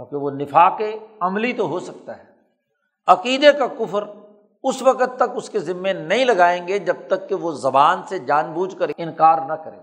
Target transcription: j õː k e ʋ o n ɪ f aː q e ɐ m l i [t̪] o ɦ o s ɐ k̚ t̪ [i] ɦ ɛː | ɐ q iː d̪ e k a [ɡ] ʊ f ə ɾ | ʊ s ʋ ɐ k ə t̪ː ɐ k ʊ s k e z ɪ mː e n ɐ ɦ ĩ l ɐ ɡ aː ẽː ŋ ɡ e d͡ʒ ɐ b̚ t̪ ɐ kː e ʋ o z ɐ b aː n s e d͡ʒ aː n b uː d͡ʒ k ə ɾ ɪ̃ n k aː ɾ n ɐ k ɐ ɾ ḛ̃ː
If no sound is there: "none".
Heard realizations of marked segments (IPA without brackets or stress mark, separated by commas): t̪, a, k